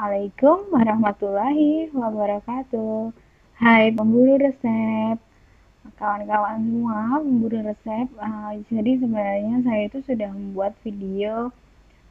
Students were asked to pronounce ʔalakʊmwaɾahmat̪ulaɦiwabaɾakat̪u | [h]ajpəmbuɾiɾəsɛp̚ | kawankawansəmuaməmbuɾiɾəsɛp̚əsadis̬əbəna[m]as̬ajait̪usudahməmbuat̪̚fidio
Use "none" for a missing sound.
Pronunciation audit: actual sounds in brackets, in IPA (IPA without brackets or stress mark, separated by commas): h, ɲ